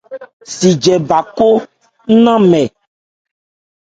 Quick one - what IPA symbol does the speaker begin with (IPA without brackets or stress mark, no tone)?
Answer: s